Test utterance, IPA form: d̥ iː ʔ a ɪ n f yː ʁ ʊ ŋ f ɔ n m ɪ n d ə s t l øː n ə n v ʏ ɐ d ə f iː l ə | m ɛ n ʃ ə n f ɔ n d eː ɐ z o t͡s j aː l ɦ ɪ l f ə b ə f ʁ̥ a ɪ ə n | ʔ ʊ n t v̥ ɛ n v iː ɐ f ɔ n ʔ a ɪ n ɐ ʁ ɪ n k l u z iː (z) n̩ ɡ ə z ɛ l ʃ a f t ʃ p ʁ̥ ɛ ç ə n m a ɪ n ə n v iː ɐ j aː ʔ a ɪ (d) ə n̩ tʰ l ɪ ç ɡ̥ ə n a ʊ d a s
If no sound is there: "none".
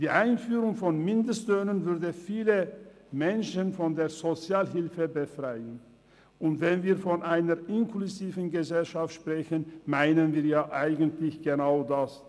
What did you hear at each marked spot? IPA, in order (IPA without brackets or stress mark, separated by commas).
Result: v, ɡ